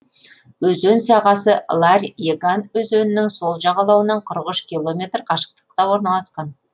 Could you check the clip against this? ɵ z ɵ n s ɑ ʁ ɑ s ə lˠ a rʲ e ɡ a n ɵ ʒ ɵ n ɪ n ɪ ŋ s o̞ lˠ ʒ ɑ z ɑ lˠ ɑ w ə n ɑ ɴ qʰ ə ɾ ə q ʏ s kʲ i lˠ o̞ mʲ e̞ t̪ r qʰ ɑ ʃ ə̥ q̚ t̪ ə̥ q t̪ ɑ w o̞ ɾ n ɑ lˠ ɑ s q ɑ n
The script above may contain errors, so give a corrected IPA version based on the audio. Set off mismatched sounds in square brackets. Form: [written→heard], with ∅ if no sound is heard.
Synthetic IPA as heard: ɵ z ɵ n s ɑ ʁ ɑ s ə lˠ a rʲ e ɡ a n ɵ [ʒ→z] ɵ n ɪ n ɪ ŋ s o̞ lˠ ʒ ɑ [z→ʁ] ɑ lˠ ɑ w ə n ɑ ɴ qʰ ə ɾ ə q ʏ [s→ʃ] kʲ i lˠ o̞ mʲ e̞ t̪ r qʰ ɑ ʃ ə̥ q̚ t̪ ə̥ q t̪ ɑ w o̞ ɾ n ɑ lˠ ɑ s q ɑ n